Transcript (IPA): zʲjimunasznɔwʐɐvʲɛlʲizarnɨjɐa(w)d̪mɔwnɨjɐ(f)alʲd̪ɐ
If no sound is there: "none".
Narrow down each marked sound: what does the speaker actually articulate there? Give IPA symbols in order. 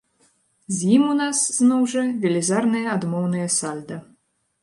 none, s

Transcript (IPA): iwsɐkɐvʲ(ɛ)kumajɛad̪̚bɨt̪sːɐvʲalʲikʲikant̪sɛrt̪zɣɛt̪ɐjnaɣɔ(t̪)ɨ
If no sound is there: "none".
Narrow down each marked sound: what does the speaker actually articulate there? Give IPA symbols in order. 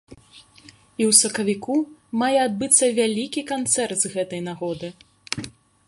i, d̪

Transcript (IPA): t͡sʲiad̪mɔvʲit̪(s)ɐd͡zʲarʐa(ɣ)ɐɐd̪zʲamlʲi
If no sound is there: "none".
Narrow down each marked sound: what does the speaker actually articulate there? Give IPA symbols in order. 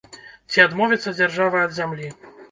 sː, v

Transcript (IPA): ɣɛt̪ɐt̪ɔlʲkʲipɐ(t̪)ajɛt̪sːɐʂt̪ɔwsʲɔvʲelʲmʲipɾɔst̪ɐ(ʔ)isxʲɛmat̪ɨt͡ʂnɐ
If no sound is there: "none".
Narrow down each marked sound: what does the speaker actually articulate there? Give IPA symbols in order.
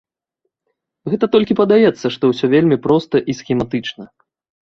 d̪, ʔ

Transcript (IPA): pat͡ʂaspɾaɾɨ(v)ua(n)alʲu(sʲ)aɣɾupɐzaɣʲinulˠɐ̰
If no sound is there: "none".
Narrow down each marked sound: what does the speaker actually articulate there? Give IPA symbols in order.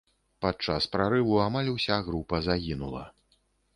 v, m, sʲ

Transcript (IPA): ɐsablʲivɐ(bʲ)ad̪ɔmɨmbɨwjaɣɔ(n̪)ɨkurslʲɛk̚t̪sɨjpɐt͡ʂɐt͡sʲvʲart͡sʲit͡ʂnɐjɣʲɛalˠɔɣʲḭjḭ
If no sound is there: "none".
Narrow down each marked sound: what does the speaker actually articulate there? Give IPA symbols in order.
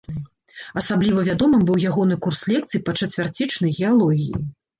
vʲ, n̪

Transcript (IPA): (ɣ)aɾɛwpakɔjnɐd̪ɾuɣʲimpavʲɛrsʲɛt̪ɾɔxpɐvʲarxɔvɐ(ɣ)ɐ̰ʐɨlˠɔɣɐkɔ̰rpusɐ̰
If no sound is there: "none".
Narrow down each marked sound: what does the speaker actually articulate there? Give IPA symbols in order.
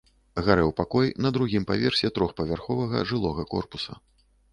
ɣ, ɣ

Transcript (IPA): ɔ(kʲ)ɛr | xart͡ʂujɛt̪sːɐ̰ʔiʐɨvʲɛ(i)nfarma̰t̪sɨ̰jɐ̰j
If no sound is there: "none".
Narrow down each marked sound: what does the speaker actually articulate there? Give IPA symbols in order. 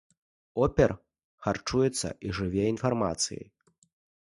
pʲ, i

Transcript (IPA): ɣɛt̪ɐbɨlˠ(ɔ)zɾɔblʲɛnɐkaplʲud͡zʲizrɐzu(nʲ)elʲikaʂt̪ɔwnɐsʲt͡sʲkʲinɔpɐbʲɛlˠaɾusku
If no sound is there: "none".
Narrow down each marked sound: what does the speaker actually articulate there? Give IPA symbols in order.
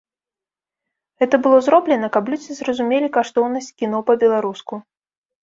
ɔ, mʲ

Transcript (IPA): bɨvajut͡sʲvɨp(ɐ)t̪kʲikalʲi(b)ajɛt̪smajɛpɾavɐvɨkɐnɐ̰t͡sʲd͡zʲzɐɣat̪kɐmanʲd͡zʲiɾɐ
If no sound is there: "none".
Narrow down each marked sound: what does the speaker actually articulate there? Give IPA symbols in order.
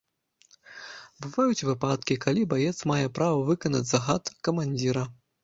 a, b

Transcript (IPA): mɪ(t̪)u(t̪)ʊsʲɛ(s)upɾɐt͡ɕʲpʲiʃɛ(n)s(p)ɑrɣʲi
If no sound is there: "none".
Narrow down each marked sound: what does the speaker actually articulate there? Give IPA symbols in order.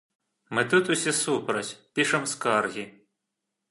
t̪, t̪, s, m, k

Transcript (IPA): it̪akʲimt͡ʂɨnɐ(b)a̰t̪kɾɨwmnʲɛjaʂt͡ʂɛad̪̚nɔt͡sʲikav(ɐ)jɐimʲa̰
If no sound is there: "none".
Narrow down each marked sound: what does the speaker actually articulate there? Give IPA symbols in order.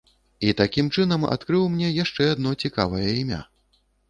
m, ɐ

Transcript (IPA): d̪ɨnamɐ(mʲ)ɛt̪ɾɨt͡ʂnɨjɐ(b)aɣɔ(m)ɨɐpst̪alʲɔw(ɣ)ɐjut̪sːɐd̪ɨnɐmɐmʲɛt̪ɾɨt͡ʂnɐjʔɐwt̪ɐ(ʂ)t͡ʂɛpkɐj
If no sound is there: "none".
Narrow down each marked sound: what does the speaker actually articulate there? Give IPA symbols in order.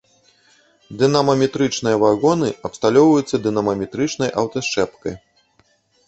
mʲ, v, n, v, ʂ

